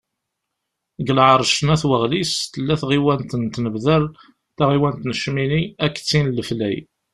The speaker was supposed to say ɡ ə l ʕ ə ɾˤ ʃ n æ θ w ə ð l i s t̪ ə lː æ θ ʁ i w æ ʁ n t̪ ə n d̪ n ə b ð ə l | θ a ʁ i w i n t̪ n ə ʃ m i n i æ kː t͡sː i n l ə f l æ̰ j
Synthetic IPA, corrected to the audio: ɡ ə l ʕ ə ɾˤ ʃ n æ θ w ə ʁ l i s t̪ ə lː æ θ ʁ i w æ n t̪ ə n t̪ n ə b ð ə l | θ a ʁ i w æ n t̪ n ə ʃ m i n i æ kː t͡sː i n l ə f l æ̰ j